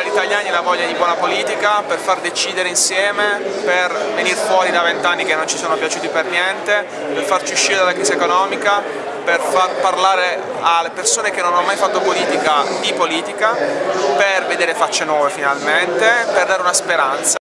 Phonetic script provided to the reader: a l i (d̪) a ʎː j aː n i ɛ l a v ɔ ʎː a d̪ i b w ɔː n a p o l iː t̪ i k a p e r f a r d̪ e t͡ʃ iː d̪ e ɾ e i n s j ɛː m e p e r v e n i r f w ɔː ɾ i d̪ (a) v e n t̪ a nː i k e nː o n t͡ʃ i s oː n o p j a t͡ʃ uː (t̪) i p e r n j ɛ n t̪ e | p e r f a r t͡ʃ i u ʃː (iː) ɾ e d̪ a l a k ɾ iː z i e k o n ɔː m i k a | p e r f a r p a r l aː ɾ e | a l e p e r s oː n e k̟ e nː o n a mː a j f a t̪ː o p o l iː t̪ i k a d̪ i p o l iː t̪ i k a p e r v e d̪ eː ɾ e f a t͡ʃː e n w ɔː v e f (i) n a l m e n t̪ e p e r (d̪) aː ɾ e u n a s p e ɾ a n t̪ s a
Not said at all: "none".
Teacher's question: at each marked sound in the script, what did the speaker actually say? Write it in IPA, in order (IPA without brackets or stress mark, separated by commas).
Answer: t̪, a, t̪, i, i, d̪